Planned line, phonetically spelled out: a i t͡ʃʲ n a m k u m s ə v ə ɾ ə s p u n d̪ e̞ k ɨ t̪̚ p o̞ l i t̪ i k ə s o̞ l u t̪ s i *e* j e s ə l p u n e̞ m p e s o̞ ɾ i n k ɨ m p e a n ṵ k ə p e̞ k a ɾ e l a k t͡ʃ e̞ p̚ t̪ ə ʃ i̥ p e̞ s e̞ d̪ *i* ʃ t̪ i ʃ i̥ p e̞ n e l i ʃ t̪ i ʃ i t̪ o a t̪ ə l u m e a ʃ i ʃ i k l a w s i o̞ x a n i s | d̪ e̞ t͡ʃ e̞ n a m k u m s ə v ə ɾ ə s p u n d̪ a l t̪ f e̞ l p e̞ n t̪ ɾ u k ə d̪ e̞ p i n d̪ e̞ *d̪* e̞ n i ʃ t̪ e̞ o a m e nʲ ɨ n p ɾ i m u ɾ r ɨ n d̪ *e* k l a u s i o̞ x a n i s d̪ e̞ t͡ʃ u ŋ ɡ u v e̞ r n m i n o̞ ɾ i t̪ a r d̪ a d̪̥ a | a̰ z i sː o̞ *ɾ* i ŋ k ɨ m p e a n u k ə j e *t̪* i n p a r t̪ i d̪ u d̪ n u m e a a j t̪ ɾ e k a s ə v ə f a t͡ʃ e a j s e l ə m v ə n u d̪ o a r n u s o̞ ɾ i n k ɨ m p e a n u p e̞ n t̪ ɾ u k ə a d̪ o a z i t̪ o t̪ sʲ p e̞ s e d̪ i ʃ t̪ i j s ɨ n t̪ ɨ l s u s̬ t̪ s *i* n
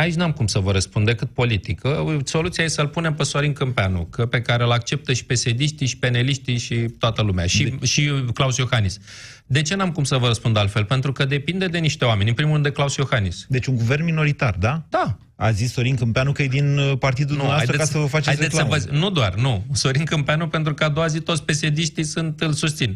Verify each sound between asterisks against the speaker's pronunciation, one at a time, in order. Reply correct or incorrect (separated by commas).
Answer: incorrect, correct, correct, correct, correct, incorrect, correct